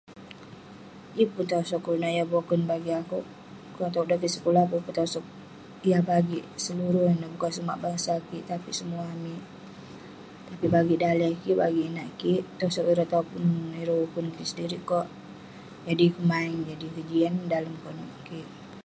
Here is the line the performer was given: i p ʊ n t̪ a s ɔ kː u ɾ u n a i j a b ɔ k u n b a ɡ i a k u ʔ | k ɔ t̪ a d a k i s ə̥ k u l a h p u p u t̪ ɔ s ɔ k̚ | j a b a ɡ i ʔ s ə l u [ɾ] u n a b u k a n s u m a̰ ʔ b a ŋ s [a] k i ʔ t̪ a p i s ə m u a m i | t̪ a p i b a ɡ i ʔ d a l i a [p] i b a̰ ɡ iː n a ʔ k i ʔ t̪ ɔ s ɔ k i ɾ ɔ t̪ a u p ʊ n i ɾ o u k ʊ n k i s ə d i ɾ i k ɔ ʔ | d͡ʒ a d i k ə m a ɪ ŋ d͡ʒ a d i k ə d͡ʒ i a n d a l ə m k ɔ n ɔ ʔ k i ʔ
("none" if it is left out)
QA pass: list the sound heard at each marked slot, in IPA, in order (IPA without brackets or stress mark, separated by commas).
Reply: ɾ, a, k